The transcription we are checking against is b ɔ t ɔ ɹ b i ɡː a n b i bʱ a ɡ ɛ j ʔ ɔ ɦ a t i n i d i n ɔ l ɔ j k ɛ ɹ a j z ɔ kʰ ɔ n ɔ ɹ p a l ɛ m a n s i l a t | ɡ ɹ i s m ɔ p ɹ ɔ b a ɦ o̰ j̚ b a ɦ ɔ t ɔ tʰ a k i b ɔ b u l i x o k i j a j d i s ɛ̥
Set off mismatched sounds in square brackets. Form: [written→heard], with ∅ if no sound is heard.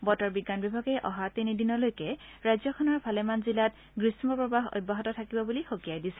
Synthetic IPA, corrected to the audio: b ɔ t ɔ ɹ b i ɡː a n b i bʱ a ɡ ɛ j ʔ ɔ ɦ a t i n i d i n ɔ l [ɔ→o] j k ɛ ɹ a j z ɔ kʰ ɔ n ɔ ɹ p a l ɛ m a n [s→z] i l a t | ɡ ɹ i s m ɔ p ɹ ɔ b a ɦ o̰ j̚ b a ɦ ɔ t ɔ tʰ a k i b ɔ b u l i x o k i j a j d i s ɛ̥